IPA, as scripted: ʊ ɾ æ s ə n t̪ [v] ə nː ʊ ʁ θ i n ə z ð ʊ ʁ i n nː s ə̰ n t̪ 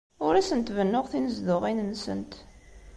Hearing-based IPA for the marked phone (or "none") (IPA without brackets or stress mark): v